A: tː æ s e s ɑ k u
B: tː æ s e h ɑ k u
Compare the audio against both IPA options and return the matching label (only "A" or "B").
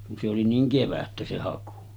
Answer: B